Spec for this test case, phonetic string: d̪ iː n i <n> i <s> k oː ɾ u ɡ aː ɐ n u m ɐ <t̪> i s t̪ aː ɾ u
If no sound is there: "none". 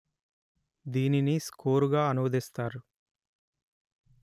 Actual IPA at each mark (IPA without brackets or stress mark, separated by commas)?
n, s, d̪